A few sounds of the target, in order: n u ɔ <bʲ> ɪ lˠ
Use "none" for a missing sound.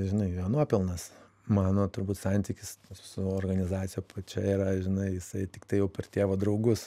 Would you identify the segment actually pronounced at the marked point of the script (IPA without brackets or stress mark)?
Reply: pʲ